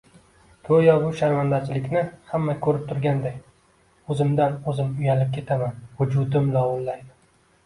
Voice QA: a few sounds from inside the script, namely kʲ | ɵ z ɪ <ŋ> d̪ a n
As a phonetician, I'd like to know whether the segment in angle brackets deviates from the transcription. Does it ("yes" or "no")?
yes